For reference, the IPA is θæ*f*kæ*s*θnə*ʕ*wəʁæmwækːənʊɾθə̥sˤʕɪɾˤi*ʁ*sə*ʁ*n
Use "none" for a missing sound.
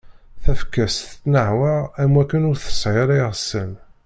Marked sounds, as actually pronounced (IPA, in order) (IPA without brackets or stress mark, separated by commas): f, s, ʕ, ʁ, none